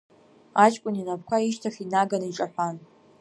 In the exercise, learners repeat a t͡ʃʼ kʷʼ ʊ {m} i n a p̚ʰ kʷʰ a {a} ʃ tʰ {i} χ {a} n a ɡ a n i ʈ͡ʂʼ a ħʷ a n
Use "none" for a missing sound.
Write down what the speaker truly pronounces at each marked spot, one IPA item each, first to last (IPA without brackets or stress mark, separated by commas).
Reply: n, i, a, i